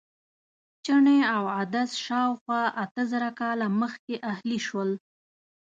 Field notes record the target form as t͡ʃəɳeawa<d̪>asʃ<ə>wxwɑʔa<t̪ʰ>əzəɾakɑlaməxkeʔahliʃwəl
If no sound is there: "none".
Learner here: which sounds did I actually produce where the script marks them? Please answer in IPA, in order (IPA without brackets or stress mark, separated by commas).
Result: d̪, ɑ, t̪